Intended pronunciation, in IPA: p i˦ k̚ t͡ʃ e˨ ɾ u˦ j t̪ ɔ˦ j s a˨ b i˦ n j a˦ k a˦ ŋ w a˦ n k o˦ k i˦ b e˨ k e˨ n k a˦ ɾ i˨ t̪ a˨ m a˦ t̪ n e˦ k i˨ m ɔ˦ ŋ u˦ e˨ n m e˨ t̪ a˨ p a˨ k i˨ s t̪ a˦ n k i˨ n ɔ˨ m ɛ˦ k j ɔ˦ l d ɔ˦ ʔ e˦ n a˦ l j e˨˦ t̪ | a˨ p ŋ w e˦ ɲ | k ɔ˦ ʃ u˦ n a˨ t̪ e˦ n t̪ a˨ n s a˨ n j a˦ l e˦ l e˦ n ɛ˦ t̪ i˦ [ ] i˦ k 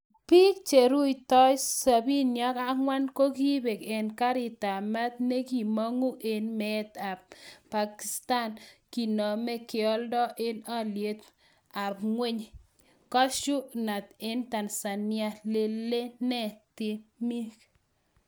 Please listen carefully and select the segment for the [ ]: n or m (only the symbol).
m